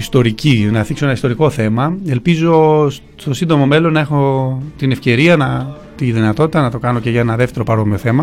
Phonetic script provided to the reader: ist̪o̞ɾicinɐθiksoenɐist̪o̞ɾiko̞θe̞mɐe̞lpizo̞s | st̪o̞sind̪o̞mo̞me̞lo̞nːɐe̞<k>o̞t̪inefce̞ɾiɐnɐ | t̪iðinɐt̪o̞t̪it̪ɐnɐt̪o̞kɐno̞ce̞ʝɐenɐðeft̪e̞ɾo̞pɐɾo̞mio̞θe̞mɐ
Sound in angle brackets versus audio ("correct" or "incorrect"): incorrect